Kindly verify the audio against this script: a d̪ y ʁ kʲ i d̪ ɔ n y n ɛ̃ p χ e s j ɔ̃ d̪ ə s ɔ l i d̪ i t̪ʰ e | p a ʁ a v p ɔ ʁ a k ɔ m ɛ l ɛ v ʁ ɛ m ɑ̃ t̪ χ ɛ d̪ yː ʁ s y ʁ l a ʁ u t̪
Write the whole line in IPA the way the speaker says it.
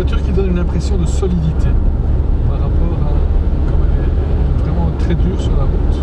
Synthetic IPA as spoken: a t̪ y ʁ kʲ i d̪ ɔ n y n ɛ̃ p χ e s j ɔ̃ d̪ ə s ɔ l i d̪ i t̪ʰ e | p a ʁ a p ɔ ʁ a k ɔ m ɛ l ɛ v ʁ ɛ m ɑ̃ t̪ χ ɛ d̪ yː ʁ s y ʁ l a ʁ u t̪